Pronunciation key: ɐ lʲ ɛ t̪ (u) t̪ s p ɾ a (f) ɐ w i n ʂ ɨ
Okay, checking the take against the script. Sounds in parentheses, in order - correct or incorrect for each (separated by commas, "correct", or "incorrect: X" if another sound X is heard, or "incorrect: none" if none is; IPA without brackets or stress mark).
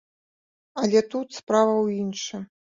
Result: correct, incorrect: v